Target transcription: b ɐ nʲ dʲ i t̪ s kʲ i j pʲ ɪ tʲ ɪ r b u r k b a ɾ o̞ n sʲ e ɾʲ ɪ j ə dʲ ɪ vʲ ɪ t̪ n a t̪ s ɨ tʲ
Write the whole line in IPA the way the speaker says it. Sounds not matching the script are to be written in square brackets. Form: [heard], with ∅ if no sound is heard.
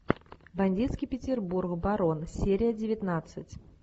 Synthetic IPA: b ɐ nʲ dʲ i t̪ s kʲ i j pʲ ɪ tʲ ɪ r b u r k b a ɾ o̞ n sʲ e ɾʲ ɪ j ə dʲ ɪ vʲ ɪ t̪ n a t̪ s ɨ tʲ